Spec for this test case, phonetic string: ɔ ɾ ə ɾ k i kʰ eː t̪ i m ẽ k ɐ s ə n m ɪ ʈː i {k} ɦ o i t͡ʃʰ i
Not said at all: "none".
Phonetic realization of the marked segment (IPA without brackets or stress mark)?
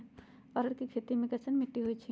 none